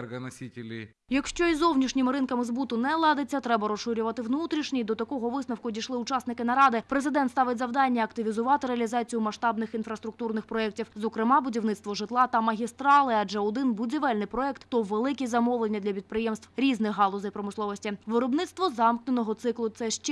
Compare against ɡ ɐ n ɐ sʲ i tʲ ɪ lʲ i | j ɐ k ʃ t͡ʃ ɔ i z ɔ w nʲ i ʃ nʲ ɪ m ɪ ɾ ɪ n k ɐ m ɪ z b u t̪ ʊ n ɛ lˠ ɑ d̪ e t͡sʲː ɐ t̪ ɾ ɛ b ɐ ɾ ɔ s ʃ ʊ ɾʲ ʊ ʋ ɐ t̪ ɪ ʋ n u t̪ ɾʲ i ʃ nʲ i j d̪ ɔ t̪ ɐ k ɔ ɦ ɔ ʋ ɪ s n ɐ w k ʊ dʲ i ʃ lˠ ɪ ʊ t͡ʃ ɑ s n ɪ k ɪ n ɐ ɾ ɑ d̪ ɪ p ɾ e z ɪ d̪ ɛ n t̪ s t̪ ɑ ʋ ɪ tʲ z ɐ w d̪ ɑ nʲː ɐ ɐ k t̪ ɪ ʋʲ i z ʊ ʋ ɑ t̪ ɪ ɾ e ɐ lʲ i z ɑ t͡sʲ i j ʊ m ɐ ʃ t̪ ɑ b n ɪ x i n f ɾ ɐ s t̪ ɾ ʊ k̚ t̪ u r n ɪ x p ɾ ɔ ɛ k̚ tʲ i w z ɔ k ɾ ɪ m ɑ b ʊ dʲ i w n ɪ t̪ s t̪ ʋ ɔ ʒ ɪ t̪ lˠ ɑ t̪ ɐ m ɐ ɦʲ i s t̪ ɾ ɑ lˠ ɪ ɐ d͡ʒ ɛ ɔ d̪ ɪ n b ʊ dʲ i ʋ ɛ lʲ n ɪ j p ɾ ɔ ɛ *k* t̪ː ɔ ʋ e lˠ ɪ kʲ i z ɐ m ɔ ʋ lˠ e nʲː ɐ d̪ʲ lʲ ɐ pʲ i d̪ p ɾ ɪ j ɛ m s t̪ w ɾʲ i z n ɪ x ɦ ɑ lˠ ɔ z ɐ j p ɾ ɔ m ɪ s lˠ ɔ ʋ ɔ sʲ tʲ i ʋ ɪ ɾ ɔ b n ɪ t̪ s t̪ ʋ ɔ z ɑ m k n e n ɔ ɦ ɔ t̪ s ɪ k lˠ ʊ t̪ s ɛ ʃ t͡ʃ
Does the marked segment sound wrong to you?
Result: no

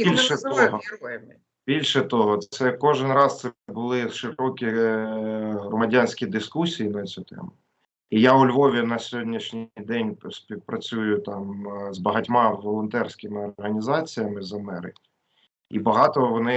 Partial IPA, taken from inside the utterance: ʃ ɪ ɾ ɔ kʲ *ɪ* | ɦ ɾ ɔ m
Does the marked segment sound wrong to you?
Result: yes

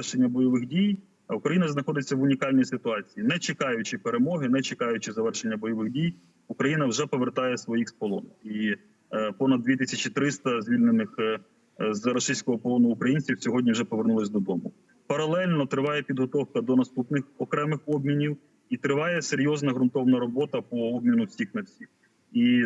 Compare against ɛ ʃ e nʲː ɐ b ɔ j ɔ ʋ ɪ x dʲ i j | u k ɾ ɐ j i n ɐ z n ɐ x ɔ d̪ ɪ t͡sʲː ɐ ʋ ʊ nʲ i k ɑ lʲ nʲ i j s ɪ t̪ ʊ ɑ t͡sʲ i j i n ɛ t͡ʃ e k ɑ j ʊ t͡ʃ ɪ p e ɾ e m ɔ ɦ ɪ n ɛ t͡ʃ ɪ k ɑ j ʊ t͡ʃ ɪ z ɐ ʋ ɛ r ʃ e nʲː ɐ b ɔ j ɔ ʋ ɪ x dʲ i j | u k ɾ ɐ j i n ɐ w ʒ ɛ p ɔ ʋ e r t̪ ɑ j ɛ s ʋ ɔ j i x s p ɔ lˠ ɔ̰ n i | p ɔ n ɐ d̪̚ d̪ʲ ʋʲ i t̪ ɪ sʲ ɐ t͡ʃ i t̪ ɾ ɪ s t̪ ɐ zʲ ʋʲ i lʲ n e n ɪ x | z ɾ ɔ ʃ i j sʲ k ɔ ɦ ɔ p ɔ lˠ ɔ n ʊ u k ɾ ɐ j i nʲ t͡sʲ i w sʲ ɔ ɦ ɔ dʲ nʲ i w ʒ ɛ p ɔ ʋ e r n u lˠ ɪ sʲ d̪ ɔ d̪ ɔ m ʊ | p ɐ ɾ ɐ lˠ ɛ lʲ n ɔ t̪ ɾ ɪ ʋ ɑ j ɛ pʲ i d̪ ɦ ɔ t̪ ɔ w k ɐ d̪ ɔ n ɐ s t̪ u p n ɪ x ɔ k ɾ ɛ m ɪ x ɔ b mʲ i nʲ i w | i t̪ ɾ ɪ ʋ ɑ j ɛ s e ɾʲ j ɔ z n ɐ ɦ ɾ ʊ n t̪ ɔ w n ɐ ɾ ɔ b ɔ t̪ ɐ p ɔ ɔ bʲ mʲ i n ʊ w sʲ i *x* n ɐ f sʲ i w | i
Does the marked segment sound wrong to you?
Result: no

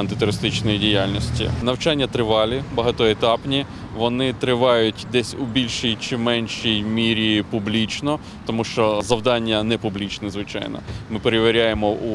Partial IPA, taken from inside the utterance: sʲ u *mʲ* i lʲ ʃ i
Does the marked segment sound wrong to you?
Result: yes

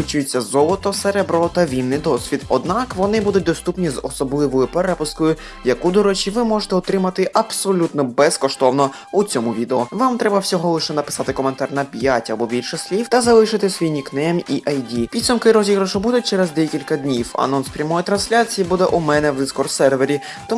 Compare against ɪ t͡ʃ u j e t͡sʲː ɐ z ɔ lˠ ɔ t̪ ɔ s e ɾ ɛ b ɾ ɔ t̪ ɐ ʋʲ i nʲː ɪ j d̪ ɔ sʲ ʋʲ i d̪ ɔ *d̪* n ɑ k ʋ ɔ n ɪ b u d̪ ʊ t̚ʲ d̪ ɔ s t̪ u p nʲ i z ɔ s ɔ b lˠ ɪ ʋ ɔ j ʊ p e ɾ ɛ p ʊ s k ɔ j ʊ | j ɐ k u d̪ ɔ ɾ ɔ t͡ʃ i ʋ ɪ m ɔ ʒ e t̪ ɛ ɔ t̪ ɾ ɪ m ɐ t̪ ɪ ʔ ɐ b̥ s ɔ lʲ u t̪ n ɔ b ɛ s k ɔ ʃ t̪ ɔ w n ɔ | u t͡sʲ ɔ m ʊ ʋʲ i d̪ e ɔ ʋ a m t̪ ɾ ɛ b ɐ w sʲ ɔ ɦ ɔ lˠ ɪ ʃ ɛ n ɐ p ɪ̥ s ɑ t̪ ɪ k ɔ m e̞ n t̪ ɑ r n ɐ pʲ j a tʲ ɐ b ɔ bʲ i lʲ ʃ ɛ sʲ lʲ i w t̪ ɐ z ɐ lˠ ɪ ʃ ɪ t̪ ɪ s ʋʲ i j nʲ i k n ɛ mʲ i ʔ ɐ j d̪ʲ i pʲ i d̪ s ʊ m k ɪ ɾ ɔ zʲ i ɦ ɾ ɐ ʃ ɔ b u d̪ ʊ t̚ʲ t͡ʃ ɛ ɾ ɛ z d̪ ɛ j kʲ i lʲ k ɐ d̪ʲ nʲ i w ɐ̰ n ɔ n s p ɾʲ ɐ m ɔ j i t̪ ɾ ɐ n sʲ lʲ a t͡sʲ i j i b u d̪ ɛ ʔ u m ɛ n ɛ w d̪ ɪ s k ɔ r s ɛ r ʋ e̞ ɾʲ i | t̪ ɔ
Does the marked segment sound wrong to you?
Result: no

